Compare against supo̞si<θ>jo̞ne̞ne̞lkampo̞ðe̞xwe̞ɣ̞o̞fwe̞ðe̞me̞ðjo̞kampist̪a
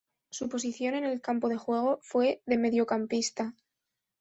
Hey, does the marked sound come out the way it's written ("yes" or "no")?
yes